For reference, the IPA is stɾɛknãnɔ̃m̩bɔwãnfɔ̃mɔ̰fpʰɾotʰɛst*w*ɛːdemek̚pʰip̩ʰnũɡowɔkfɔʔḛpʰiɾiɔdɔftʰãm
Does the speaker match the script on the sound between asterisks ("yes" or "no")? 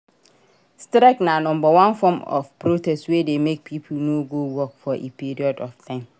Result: yes